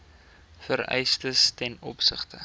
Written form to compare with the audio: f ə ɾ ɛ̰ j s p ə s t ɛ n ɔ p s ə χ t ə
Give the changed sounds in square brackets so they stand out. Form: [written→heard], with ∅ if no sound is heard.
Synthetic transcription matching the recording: f ə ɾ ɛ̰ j s [p→t] ə s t ɛ n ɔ p s ə χ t ə